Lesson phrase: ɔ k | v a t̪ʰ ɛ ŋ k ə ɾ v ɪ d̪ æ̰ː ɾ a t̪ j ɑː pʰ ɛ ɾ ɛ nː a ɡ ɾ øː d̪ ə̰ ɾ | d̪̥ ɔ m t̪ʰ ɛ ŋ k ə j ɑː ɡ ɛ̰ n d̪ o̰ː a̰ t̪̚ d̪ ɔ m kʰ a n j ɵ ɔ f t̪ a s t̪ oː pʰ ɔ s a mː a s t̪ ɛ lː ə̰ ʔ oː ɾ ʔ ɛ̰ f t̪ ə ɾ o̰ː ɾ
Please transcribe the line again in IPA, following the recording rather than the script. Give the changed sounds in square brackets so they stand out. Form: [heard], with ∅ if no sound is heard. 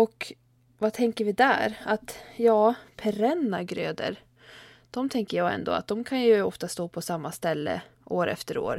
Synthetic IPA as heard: ɔ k | v a t̪ʰ ɛ ŋ k ə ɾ v ɪ d̪ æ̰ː ɾ a t̪ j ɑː pʰ ɛ ɾ ɛ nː a ɡ ɾ øː d̪ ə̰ ɾ | d̪̥ ɔ m t̪ʰ ɛ ŋ k ə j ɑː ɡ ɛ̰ n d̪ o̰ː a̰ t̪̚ d̪ ɔ m kʰ a n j ɵ ɔ f t̪ a s t̪ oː pʰ ɔ s a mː a s t̪ ɛ lː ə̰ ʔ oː ɾ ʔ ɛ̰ f t̪ ə ɾ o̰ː ɾ